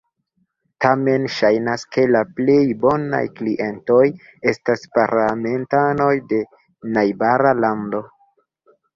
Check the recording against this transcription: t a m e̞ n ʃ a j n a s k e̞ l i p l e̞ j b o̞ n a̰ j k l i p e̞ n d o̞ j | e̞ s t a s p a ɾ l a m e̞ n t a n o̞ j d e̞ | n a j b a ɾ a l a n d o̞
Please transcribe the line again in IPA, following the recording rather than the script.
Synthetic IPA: t a m e̞ n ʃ a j n a s k e̞ l a p l e̞ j b o̞ n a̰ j k l i ʔ e̞ n t o̞ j | e̞ s t a s p a ɾ l a m e̞ n t a n o̞ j d e̞ | n a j b a ɾ a l a n d o̞